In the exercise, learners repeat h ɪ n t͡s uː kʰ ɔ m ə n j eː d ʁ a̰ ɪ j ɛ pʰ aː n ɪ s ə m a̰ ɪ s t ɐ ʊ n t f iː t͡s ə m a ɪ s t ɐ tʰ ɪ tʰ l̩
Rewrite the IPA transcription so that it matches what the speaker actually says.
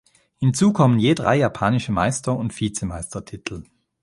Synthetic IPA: h ɪ n t͡s uː kʰ ɔ m ə n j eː d ʁ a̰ ɪ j a pʰ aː n ɪ ʃ ə m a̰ ɪ s t ɐ ʊ n t f iː t͡s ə m a ɪ s t ɐ tʰ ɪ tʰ l̩